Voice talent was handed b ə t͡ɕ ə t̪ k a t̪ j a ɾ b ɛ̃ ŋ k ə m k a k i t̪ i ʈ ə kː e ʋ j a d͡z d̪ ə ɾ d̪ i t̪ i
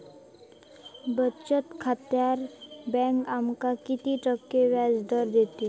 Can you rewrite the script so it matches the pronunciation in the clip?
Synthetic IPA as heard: b ə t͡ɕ ə t̪ kʰ a t̪ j a ɾ b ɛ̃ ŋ k a m k a k i t̪ i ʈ ə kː e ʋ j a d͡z d̪ ə ɾ d̪ e t̪ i